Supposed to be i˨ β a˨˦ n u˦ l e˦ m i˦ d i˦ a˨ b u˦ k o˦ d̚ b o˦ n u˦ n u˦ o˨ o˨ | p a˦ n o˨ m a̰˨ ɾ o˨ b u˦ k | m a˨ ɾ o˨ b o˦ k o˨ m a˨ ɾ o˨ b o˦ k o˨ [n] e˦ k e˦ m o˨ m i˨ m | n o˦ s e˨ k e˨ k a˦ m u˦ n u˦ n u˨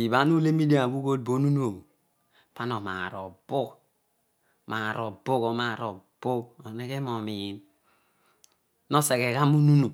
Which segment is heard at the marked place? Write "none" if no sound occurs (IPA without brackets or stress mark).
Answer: n